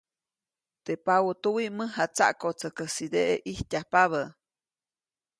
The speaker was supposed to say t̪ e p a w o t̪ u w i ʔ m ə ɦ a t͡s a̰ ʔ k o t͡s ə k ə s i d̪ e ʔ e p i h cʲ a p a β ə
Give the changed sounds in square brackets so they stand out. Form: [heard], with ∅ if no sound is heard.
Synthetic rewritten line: t̪ e p a w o t̪ u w i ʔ m ə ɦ a t͡s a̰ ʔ k o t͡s ə k ə s i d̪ e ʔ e [ʔ] i h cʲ a p a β ə

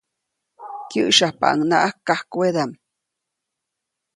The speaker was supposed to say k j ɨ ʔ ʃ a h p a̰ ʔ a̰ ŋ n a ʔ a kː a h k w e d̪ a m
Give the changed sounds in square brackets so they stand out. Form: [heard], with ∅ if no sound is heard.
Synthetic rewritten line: k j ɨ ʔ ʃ a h p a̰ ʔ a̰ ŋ n a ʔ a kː a h k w e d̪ a m

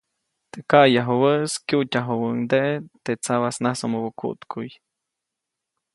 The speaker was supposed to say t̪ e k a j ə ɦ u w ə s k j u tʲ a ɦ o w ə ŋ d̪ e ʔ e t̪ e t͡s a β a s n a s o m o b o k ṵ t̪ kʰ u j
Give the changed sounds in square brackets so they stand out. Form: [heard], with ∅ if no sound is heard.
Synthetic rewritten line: t̪ e k a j [a] ɦ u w ə s k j u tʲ a ɦ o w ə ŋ d̪ e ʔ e t̪ e t͡s a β a s n a s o m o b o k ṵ t̪ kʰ u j

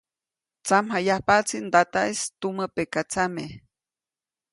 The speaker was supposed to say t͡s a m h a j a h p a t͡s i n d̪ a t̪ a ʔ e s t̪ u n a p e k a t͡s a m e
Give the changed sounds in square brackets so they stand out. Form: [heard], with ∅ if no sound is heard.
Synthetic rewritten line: t͡s a m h a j a h p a t͡s i n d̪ a t̪ a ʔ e s t̪ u [m] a p e k a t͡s a m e

